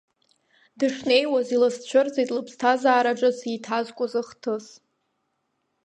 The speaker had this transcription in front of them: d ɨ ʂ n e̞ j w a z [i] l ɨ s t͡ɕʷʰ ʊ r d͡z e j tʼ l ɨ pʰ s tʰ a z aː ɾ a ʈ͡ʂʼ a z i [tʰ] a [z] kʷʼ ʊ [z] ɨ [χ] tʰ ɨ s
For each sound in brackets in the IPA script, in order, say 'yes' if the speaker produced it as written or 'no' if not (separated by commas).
yes, yes, yes, yes, yes